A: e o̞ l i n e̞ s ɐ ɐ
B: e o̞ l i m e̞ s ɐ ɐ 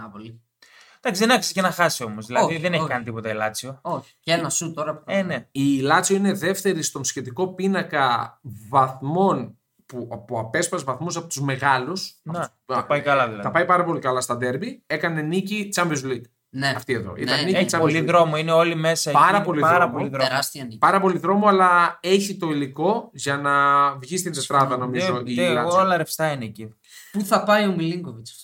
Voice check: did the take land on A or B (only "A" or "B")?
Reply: B